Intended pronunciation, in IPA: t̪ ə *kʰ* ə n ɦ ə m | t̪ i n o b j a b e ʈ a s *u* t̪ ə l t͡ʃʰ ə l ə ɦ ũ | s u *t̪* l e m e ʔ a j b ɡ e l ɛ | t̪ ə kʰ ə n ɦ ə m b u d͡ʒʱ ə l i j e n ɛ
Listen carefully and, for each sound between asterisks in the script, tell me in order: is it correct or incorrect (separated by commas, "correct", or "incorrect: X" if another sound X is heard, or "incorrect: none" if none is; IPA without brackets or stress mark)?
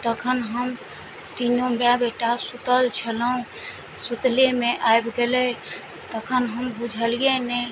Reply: correct, correct, correct